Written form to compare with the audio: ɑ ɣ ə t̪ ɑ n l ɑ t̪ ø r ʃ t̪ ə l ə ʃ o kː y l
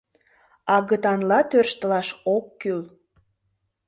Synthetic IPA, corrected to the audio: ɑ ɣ ə t̪ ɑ n l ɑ t̪ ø r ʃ t̪ ə l ɑ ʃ o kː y l